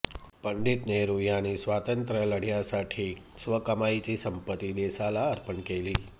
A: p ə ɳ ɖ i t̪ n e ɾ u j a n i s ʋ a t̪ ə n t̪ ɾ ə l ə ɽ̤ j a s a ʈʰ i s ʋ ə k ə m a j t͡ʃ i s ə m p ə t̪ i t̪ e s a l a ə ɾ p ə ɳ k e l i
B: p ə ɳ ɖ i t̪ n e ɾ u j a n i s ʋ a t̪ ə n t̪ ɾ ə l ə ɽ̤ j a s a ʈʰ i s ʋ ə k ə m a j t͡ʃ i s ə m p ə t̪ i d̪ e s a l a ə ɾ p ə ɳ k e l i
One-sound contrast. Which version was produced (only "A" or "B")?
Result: B